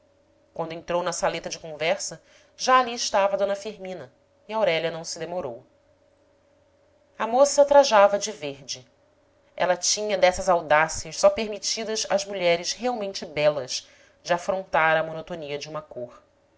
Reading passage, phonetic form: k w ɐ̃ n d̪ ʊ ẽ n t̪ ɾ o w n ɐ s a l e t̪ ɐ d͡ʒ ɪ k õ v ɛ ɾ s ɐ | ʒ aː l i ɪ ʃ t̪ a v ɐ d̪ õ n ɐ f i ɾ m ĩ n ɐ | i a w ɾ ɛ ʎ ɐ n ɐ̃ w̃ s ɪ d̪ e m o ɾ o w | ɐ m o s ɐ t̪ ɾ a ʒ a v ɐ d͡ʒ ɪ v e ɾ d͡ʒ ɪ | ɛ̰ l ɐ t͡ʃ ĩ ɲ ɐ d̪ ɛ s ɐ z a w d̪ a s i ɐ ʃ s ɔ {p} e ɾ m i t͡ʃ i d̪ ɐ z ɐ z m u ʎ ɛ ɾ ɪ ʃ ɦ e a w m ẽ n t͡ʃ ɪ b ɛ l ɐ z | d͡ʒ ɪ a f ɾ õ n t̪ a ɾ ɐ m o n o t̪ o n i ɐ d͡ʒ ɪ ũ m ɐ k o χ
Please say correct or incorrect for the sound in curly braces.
correct